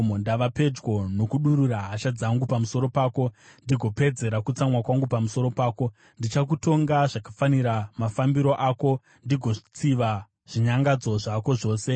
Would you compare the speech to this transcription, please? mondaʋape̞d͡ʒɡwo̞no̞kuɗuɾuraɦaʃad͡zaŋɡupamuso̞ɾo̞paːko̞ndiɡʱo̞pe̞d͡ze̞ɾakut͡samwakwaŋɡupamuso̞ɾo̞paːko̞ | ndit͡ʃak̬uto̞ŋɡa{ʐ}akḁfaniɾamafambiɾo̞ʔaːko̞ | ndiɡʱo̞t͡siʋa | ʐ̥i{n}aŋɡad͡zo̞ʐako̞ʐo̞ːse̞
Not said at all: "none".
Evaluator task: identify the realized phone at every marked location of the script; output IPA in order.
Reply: ʐ, ɲ

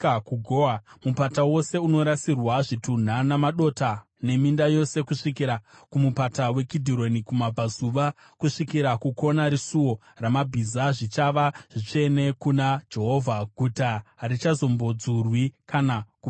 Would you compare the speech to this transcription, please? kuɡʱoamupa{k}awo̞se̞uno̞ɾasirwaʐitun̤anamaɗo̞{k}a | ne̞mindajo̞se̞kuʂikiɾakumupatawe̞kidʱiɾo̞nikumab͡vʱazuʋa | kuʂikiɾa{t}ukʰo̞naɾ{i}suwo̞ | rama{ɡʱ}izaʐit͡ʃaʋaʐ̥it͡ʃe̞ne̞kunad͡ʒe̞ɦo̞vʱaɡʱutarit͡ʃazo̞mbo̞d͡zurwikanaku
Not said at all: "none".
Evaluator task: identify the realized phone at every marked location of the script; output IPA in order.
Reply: t, t, k, i, bʱ

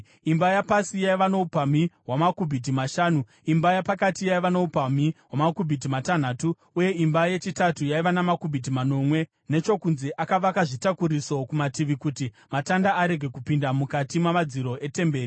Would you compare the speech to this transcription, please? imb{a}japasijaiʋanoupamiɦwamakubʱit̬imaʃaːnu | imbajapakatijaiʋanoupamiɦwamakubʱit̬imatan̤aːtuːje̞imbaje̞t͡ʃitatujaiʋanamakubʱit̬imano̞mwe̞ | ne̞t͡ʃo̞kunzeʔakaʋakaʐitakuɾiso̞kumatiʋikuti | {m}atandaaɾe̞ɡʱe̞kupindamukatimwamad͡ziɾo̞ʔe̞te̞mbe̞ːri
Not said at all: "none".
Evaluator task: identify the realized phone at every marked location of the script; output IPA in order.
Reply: a, m

